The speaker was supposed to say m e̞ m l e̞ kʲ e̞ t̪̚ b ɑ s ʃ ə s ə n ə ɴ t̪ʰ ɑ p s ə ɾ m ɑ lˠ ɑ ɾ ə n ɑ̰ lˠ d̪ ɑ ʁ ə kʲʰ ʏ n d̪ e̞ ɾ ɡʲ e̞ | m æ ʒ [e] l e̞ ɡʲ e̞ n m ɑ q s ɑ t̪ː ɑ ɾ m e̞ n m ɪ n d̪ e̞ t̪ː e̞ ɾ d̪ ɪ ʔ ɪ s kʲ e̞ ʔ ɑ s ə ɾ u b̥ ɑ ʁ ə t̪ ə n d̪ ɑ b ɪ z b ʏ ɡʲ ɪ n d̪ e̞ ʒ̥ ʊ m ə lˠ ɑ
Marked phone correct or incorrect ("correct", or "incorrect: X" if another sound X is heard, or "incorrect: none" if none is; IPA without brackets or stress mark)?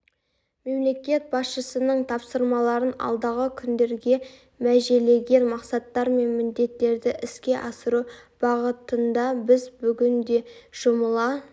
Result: correct